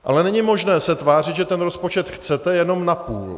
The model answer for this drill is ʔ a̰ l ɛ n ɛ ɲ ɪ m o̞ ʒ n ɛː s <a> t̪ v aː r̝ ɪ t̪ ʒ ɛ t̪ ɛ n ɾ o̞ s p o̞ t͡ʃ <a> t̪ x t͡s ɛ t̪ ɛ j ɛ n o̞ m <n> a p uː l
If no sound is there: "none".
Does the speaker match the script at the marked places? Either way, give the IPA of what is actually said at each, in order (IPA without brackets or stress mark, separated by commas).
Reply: ɛ, ɛ, n